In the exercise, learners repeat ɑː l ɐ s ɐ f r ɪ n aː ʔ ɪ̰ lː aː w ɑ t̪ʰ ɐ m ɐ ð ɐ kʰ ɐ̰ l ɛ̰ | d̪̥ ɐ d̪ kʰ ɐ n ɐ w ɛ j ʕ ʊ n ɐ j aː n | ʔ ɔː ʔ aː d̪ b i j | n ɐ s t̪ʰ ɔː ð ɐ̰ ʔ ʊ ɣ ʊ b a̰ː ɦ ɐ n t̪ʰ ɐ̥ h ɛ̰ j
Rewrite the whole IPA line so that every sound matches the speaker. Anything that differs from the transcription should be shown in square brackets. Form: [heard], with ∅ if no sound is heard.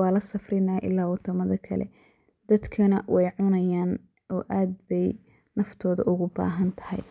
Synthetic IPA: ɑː l ɐ s ɐ f r ɪ n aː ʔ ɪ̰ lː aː w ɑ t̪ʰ ɐ m ɐ ð ɐ kʰ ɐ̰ l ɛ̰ | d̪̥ ɐ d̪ kʰ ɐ n ɐ w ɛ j ʕ ʊ n ɐ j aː n | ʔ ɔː ʔ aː d̪ b [ɛ] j | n ɐ [f] t̪ʰ ɔː ð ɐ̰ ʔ ʊ ɣ ʊ b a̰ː ɦ ɐ n t̪ʰ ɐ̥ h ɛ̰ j

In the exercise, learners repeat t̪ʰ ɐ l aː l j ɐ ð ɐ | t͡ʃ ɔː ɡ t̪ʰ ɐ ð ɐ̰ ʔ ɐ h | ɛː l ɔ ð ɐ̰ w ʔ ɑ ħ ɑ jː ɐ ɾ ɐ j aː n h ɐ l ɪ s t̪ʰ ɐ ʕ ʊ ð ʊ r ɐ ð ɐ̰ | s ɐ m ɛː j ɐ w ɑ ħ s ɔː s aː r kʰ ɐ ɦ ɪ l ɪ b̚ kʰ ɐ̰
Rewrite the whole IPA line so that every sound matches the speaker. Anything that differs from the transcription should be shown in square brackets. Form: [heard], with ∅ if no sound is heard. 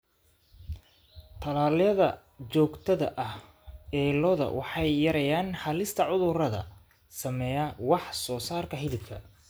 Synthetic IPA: t̪ʰ ɐ l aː l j ɐ ð ɐ | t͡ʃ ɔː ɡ t̪ʰ ɐ ð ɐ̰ ʔ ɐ h | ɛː l ɔ ð ɐ̰ w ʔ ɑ ħ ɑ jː ɐ ɾ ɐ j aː n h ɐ l ɪ s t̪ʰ ɐ ʕ ʊ ð ʊ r ɐ ð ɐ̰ | s ɐ m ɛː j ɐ w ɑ ħ s ɔː s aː r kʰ ɐ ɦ ɪ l ɪ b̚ kʰ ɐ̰

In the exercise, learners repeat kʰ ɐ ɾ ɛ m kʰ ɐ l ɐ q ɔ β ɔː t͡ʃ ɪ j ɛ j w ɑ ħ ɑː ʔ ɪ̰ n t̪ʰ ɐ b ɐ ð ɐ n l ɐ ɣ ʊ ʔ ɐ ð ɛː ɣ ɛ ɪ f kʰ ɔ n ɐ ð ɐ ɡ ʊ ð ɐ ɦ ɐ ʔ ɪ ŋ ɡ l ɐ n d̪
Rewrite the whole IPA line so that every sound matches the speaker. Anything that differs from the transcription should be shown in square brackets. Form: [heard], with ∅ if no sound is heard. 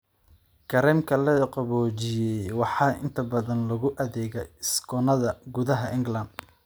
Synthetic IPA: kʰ ɐ ɾ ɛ m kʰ ɐ l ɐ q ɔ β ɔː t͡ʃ ɪ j ɛ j w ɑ ħ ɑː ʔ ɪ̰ n t̪ʰ ɐ b ɐ ð ɐ n l ɐ ɣ ʊ ʔ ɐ ð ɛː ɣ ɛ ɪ [s] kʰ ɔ n ɐ ð ɐ ɡ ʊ ð ɐ ɦ ɐ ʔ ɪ ŋ ɡ l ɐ n d̪

